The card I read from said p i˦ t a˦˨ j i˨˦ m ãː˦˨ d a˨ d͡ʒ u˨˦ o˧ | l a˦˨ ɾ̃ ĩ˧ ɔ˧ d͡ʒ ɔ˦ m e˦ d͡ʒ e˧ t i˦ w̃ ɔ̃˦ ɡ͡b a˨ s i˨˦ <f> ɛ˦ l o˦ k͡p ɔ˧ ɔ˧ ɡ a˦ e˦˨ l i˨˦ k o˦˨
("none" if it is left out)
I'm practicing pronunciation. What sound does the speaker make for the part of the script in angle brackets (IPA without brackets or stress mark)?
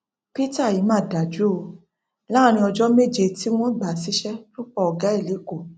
ʃ